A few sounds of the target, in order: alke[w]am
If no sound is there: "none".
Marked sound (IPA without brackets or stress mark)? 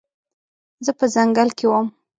w